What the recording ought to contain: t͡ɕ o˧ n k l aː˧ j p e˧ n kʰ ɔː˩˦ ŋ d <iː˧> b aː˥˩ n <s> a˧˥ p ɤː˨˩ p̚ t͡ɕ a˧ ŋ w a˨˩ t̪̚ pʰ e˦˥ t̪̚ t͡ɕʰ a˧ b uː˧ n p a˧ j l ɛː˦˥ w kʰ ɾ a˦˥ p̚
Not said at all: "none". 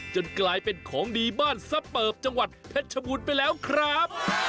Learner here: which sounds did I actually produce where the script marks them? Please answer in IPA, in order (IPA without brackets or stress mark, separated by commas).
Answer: iː˧, s